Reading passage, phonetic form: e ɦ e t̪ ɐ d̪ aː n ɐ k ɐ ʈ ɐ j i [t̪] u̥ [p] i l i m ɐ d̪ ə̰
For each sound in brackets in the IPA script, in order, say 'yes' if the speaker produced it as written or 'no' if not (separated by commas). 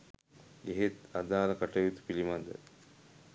yes, yes